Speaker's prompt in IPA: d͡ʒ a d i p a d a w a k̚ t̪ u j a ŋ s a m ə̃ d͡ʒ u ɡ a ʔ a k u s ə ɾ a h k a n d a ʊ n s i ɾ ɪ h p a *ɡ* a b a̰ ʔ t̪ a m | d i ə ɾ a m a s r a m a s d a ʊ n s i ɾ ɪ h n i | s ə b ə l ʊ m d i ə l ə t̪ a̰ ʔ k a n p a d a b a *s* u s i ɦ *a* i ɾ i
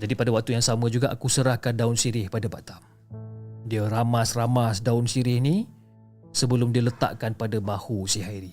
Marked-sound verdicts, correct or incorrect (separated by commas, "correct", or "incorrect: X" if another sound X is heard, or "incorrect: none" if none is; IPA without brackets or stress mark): incorrect: d, incorrect: h, correct